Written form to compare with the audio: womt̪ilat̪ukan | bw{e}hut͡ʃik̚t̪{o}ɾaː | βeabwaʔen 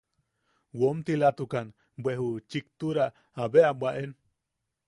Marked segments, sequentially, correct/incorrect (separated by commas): correct, incorrect